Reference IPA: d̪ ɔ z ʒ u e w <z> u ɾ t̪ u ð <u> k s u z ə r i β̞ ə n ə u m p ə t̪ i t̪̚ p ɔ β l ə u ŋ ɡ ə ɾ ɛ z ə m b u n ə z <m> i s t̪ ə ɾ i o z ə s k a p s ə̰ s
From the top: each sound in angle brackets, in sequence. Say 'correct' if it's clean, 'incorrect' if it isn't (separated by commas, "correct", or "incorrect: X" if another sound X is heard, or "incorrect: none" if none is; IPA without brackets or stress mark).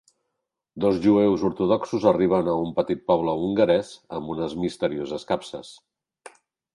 correct, incorrect: ɔ, correct